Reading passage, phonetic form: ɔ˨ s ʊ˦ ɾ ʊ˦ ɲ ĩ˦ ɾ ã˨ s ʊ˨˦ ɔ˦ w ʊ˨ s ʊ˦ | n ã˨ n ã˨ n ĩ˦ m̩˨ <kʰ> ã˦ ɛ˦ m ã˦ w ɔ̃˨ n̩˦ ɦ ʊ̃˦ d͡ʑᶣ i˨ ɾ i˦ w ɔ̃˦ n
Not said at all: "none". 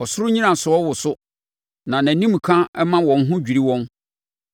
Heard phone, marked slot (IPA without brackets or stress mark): kʰ